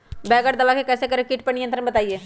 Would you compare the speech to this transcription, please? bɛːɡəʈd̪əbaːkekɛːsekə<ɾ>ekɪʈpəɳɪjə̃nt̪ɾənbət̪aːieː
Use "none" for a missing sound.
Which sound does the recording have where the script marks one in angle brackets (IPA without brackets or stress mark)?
ɾ